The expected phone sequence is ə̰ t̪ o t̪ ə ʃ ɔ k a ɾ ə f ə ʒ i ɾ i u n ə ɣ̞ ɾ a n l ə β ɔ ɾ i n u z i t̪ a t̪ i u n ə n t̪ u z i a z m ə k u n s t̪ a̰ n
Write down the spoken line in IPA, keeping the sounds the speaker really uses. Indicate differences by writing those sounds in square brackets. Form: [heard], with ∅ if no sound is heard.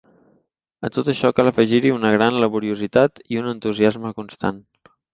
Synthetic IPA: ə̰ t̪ o t̪ ə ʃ ɔ k a [l] ə f ə ʒ i ɾ i u n ə ɣ̞ ɾ a n l ə β [u] ɾ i [∅] u z i t̪ a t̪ i u n ə n t̪ u z i a z m ə k u n s t̪ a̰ n